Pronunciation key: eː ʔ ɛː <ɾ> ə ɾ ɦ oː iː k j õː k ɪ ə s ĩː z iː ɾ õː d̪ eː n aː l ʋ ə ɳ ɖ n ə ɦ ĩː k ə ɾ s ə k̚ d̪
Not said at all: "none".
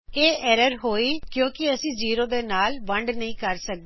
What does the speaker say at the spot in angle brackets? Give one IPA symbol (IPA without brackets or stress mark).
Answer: ɾ